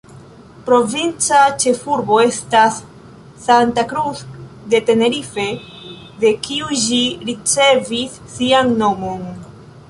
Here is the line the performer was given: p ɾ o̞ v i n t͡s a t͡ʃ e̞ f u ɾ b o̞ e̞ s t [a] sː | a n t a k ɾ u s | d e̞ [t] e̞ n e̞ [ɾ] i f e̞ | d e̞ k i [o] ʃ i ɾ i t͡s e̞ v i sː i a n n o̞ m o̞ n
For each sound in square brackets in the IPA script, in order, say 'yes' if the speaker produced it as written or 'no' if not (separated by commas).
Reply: yes, yes, yes, no